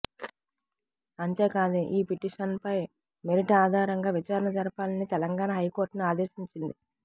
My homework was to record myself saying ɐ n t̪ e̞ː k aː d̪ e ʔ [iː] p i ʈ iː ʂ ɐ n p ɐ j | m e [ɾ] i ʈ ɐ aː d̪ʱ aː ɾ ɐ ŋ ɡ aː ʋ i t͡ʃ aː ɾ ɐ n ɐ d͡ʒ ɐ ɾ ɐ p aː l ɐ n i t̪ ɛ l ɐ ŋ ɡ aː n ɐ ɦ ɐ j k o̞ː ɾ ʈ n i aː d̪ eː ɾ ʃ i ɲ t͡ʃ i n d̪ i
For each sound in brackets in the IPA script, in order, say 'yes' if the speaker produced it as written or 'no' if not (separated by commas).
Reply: yes, yes